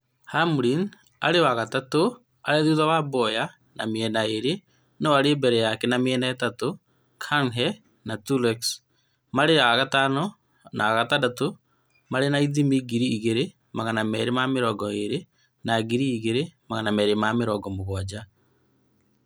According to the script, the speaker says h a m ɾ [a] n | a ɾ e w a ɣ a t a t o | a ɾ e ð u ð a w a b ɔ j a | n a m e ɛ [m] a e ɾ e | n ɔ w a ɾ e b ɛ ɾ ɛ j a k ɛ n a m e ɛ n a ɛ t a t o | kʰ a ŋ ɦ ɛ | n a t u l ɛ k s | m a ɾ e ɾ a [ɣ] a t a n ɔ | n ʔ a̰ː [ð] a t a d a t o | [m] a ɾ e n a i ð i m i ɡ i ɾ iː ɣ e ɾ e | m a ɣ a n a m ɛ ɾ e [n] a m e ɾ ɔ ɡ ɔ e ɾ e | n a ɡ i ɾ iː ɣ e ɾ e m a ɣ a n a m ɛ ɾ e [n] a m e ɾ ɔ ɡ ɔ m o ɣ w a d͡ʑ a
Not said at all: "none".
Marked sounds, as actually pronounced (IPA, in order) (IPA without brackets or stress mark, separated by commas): i, n, ɣ, ɣ, m, m, m